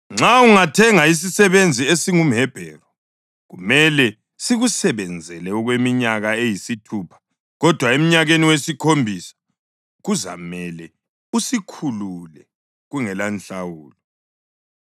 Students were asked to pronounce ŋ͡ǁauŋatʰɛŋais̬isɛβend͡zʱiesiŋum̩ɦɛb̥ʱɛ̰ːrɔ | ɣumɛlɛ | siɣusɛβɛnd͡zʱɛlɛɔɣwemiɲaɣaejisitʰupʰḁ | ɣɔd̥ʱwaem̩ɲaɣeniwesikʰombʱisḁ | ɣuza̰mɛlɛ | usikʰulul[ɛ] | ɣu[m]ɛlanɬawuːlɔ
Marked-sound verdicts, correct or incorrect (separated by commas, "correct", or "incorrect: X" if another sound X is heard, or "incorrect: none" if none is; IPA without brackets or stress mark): correct, incorrect: ŋ